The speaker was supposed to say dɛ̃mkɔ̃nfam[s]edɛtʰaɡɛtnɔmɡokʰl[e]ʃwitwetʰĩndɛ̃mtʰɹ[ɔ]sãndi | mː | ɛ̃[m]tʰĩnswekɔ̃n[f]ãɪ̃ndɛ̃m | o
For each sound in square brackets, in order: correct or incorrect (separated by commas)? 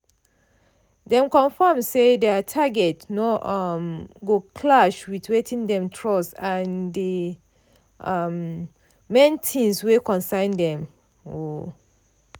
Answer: correct, incorrect, correct, incorrect, incorrect